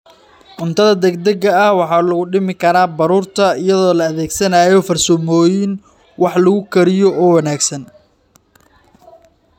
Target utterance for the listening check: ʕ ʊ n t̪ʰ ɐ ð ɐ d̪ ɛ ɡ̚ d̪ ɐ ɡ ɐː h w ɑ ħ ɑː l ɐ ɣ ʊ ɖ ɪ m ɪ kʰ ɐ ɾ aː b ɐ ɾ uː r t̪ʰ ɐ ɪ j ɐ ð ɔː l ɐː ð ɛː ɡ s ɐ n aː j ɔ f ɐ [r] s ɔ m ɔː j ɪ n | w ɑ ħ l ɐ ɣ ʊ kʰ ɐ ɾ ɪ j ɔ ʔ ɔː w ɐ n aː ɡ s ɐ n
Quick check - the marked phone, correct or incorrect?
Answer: correct